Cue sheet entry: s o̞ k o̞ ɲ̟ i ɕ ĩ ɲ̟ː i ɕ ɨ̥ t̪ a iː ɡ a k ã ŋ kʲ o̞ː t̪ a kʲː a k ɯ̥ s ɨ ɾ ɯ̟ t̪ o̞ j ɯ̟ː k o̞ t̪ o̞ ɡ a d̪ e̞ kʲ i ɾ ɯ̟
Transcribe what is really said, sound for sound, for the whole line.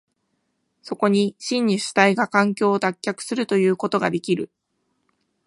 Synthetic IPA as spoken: s o̞ k o̞ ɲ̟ i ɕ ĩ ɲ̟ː i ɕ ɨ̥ t̪ a i ɡ a k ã ŋ kʲ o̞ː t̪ a kʲː a k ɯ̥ s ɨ ɾ ɯ̟ t̪ o̞ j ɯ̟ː k o̞ t̪ o̞ ɡ a d̪ e̞ kʲ i ɾ ɯ̟